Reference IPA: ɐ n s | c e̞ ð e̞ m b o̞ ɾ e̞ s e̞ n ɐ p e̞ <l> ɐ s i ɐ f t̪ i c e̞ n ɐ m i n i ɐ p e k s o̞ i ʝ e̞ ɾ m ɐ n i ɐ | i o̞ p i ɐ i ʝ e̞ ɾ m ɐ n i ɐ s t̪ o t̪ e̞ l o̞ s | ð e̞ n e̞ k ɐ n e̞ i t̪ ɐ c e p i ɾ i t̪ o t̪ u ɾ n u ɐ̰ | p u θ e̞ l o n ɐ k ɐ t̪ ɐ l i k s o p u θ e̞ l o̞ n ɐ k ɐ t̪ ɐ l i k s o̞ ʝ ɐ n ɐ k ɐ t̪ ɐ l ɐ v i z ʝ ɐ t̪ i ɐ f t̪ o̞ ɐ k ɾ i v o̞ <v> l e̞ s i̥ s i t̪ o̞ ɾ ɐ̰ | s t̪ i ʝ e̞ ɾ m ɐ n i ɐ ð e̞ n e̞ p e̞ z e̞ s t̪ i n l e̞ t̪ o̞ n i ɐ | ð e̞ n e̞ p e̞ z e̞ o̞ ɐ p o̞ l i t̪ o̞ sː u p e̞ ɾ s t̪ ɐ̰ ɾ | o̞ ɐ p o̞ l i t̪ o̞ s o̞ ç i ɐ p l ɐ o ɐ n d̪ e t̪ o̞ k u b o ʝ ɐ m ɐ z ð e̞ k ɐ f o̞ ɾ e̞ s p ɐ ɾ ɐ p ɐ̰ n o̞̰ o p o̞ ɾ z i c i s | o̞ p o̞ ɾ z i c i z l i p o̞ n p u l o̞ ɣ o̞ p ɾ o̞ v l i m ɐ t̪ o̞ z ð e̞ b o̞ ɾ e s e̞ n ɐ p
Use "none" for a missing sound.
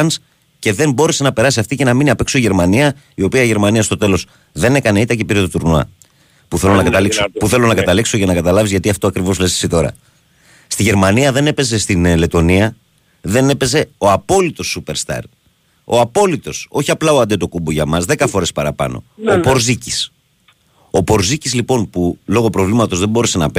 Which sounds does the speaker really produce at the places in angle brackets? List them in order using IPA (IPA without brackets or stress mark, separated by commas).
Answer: ɾ, z